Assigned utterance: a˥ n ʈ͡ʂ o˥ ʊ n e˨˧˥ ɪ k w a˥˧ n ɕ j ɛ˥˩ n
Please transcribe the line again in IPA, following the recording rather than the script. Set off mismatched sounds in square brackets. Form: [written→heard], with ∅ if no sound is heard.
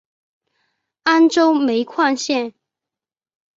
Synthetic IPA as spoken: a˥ n ʈ͡ʂ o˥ ʊ [n→m] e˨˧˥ ɪ [k→kʰ] w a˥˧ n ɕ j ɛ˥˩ n